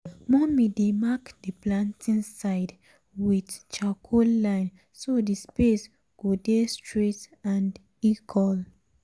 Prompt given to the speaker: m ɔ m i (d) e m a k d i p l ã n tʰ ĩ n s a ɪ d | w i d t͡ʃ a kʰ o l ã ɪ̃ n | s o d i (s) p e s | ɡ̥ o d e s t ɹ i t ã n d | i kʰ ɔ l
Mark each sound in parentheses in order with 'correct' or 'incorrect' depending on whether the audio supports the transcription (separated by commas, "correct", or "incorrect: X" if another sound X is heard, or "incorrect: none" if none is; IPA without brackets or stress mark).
correct, correct